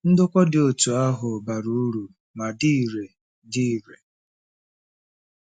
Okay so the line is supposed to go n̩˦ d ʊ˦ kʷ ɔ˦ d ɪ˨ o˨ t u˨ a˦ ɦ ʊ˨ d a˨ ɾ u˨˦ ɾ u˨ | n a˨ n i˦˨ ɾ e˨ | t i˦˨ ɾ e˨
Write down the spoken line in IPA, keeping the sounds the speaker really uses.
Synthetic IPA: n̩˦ d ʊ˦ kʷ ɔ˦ d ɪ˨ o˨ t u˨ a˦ ɦ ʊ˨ b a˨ ɾ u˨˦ ɾ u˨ | m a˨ d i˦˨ ɾ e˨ | d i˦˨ ɾ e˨